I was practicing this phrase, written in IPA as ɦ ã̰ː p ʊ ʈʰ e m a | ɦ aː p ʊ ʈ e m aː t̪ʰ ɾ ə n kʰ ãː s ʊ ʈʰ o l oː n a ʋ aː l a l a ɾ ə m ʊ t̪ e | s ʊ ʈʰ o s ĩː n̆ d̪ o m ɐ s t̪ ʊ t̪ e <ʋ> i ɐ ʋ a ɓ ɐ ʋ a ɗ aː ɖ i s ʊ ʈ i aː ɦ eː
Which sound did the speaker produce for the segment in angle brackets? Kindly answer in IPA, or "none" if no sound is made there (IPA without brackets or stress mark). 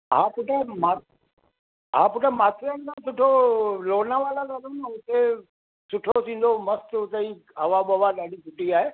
none